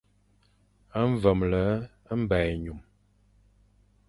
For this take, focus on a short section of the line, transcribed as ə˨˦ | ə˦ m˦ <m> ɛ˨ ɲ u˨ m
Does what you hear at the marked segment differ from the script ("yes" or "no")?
yes